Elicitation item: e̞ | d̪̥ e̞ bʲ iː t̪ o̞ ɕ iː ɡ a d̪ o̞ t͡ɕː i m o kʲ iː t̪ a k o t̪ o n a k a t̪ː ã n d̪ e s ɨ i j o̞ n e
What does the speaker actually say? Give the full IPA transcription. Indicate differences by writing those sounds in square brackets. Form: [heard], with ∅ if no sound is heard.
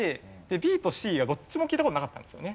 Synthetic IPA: e̞ | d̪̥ e̞ bʲ iː t̪ o̞ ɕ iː ɡ a d̪ o̞ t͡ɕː i m o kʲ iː t̪ a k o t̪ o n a k a t̪ː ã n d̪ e s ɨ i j o̞ n e

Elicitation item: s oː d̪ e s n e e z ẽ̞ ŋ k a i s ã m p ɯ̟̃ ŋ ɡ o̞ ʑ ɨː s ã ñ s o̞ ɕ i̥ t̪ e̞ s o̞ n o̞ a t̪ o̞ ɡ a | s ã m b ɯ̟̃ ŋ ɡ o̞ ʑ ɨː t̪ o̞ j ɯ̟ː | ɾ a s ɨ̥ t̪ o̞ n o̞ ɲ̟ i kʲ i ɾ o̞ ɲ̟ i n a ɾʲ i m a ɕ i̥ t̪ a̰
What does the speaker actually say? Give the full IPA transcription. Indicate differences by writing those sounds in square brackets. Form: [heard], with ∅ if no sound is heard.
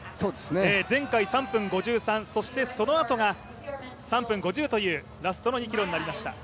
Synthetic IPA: s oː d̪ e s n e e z ẽ̞ ŋ k a i s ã m p ɯ̟̃ ŋ ɡ o̞ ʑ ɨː s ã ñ s o̞ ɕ i̥ t̪ e̞ s o̞ n o̞ a t̪ o̞ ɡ a | s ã m [p] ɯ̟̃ ŋ ɡ o̞ ʑ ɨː t̪ o̞ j ɯ̟ː | ɾ a s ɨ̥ t̪ o̞ n o̞ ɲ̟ i kʲ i ɾ o̞ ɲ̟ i n a ɾʲ i m a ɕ i̥ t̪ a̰

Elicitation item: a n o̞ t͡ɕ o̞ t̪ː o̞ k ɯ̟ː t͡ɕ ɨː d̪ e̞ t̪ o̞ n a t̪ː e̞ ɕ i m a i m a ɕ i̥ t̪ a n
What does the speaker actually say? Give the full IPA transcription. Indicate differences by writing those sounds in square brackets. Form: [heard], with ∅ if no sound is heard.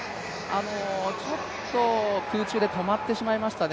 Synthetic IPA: a n o̞ t͡ɕ o̞ t̪ː o̞ k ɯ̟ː t͡ɕ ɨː d̪ e̞ t̪ o̞ [m] a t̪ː e̞ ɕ i m a i m a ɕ i̥ t̪ a n

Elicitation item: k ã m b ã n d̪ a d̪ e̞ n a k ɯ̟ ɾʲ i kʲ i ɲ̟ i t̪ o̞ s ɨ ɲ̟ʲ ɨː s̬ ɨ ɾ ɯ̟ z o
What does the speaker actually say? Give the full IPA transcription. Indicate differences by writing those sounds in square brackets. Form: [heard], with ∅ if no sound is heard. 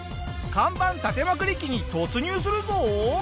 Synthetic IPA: k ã m b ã n [t̪] a [t̪] e̞ [m] a k ɯ̟ ɾʲ i kʲ i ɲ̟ i t̪ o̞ [t͡s] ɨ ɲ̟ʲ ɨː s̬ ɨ ɾ ɯ̟ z o

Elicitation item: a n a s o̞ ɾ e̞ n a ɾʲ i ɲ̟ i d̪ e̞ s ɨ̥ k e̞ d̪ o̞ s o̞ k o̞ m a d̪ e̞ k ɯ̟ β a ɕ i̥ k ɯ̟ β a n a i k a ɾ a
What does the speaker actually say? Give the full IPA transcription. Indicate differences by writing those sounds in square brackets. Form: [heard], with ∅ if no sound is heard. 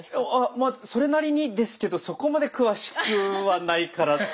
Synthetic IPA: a [m] a s o̞ ɾ e̞ n a ɾʲ i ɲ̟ i d̪ e̞ s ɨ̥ k e̞ d̪ o̞ s o̞ k o̞ m a d̪ e̞ k ɯ̟ β a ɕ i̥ k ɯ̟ β a n a i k a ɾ a

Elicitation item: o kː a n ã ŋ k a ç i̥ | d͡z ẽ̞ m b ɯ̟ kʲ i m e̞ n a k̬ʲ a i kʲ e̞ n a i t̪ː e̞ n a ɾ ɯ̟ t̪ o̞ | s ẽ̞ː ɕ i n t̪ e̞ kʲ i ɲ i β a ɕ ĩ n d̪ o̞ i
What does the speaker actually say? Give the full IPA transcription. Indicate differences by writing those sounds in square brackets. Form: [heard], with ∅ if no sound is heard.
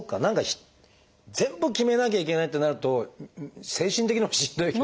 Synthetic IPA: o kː a n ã ŋ k a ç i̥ | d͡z ẽ̞ m b ɯ̟ kʲ i m e̞ n a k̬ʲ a i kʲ e̞ n a i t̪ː e̞ n a ɾ ɯ̟ t̪ o̞ | s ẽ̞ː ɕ [ĩ] n t̪ e̞ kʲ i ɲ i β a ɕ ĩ n d̪ o̞ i

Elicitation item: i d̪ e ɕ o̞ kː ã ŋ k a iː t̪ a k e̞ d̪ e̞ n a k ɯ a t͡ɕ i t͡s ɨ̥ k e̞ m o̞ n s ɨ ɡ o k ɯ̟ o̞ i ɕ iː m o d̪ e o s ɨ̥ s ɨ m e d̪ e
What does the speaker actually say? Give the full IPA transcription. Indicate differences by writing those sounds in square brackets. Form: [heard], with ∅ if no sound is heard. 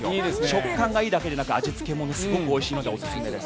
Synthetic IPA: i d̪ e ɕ o̞ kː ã ŋ [ɡ] a iː [d̪] a k e̞ d̪ e̞ n a k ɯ a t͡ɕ i t͡s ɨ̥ k e̞ m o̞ n s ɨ ɡ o k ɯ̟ o̞ i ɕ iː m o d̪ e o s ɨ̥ s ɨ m e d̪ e

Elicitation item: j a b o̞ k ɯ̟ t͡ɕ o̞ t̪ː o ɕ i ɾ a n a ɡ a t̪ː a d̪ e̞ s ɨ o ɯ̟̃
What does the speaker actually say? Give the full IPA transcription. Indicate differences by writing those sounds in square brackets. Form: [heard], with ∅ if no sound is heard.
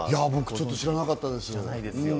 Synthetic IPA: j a b o̞ k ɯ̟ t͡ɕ o̞ t̪ː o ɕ i ɾ a n a [k] a t̪ː a d̪ e̞ s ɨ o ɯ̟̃

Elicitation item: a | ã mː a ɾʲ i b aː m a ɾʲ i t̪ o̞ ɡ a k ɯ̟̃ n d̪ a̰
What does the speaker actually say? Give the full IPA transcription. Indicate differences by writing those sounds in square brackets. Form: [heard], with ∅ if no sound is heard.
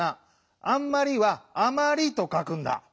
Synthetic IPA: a | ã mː a ɾʲ i [β] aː m a ɾʲ i t̪ o̞ [k] a k ɯ̟̃ n d̪ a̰

